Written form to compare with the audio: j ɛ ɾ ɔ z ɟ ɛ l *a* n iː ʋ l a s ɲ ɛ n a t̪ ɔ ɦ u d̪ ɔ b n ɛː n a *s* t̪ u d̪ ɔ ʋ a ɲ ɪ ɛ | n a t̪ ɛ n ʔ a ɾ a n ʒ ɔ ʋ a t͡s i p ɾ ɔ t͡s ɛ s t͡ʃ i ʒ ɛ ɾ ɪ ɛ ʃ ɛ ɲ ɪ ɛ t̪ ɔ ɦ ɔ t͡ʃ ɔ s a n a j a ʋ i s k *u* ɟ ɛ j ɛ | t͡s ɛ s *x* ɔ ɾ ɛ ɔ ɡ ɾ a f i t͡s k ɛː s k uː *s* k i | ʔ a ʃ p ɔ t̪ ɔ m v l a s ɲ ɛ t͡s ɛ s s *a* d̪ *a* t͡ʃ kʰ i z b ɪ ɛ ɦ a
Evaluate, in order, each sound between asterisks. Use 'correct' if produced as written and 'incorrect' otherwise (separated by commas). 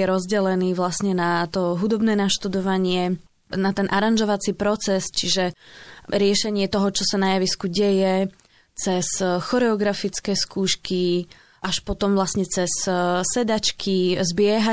incorrect, incorrect, correct, correct, incorrect, incorrect, correct